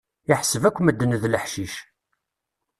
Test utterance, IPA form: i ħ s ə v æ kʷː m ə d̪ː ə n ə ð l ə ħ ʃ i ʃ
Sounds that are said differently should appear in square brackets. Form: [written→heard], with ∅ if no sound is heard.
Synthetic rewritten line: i ħ s ə v æ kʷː m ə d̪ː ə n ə ð l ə ħ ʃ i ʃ